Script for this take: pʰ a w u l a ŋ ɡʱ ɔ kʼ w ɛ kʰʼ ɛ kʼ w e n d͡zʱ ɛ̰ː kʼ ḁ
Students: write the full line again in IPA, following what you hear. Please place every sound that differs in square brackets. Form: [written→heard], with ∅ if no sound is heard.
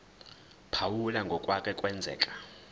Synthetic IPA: pʰ a w u l a ŋ ɡʱ ɔ kʼ w [ɛ→a] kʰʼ ɛ kʼ w [e→ɛ] n d͡zʱ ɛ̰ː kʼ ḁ